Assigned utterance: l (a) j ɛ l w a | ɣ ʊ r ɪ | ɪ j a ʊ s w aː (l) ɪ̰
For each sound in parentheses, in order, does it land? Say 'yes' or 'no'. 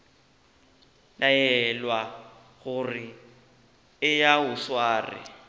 yes, no

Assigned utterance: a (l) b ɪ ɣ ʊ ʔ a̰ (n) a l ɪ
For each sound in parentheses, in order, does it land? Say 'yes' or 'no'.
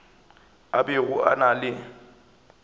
no, yes

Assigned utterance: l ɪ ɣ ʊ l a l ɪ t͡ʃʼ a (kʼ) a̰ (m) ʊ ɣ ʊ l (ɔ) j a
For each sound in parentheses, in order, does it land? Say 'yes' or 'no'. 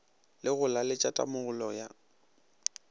no, yes, yes

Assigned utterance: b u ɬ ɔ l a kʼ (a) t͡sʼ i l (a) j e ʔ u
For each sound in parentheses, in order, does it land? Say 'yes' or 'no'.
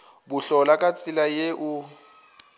yes, yes

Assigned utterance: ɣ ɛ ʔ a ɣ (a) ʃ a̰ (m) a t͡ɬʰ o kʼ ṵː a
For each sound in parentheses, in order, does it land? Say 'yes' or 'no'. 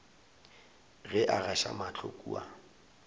yes, yes

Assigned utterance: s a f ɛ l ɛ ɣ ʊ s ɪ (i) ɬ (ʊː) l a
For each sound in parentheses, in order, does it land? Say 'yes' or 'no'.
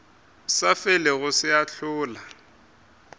no, yes

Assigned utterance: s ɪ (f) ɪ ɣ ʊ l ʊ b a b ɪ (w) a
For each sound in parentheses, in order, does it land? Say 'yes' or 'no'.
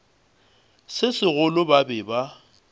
no, no

